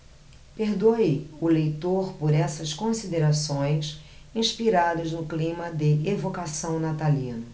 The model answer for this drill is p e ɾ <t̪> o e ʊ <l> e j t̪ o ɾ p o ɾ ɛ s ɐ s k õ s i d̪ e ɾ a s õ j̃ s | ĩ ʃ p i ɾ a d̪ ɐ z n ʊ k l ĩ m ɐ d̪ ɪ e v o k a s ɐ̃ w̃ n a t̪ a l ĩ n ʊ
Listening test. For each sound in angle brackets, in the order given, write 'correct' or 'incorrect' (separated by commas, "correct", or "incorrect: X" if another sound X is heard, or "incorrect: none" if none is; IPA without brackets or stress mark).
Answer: incorrect: d̪, correct